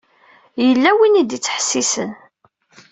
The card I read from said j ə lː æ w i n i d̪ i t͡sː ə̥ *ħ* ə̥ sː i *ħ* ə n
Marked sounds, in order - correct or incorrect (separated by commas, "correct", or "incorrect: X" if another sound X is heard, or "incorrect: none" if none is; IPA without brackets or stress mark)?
correct, incorrect: s